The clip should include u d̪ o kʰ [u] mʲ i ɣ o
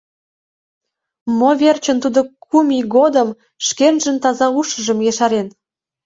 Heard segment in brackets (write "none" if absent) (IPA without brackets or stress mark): u